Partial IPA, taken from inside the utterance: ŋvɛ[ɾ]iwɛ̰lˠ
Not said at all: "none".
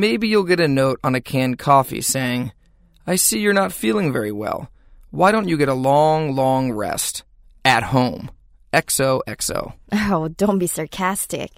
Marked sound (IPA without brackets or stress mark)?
ɹ